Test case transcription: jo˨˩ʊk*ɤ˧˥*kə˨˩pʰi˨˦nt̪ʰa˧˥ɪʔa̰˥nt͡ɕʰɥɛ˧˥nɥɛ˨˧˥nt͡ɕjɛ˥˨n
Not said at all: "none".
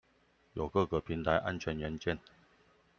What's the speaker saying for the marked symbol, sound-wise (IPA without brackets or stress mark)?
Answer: ɤ˥˩